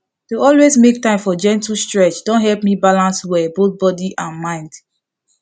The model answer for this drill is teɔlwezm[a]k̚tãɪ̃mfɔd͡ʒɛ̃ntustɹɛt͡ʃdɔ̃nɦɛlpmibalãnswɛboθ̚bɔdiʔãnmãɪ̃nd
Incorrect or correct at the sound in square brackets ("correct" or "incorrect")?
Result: incorrect